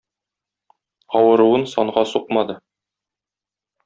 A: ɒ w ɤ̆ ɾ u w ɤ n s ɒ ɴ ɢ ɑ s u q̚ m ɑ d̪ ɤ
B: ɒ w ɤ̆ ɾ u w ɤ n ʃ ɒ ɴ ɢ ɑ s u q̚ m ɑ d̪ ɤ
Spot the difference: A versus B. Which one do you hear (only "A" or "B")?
A